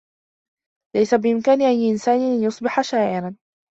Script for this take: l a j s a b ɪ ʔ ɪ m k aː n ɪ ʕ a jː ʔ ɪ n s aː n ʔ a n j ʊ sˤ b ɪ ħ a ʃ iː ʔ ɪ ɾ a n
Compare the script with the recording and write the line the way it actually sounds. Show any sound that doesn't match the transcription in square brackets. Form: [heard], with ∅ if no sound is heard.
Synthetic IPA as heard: l a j s a b ɪ ʔ ɪ m k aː n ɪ ʕ a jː ʔ ɪ n s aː n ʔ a n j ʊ sˤ b ɪ ħ a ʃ [aː] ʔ ɪ ɾ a n